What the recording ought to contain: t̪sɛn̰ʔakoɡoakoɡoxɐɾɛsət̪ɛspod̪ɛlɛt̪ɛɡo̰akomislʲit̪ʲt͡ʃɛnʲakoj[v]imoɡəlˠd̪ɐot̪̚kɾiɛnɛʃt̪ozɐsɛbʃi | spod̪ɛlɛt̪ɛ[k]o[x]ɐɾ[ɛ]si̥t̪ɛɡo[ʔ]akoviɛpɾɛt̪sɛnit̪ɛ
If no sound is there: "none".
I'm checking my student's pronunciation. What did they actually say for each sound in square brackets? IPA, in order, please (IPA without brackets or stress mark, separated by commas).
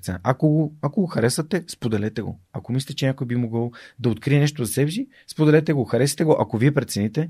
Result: b, ɡ, x, ɛ, ʔ